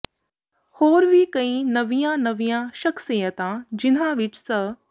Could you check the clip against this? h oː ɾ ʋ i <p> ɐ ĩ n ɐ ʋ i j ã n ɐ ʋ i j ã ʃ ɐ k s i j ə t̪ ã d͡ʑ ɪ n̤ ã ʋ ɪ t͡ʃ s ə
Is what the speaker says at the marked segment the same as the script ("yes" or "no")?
no